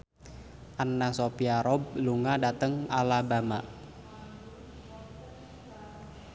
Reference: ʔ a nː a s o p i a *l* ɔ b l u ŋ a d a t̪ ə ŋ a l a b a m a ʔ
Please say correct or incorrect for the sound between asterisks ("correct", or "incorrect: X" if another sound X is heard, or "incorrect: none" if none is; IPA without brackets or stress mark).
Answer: incorrect: ɾ